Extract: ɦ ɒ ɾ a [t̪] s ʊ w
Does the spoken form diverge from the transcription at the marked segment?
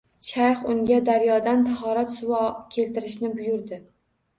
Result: no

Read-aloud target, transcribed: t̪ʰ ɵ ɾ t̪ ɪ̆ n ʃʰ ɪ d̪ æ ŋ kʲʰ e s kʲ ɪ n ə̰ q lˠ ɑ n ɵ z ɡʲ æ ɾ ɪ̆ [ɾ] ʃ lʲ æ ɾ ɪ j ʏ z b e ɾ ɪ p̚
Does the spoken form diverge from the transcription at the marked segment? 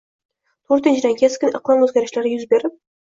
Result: yes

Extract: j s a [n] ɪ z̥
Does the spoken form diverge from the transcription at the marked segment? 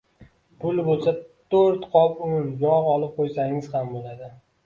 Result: yes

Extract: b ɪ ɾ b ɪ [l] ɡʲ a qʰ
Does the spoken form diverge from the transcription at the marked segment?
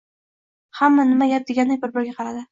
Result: yes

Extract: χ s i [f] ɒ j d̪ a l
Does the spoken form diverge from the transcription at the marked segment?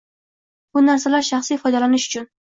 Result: no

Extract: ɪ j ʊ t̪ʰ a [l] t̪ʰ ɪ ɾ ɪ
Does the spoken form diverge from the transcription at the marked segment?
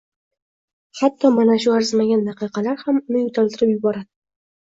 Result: no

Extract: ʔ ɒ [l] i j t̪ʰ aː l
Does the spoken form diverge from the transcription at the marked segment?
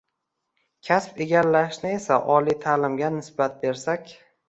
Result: no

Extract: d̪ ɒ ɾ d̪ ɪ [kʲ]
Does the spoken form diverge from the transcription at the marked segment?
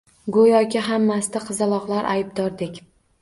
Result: no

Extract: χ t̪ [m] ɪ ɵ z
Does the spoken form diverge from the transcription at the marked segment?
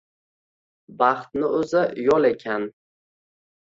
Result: yes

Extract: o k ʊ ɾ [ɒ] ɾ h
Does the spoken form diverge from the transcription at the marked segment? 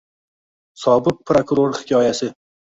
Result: yes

